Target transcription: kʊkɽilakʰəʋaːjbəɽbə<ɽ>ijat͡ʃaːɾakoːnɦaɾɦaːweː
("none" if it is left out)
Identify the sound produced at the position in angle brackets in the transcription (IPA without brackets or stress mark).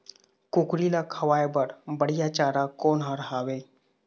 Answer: ɽ